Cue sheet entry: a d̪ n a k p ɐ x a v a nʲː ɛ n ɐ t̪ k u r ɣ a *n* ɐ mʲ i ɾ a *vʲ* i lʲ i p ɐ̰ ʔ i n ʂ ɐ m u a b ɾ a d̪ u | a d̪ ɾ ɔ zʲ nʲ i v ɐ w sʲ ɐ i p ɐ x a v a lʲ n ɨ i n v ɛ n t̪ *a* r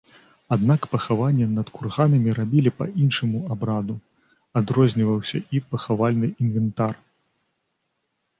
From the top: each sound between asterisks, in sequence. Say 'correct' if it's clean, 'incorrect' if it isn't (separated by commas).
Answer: correct, incorrect, correct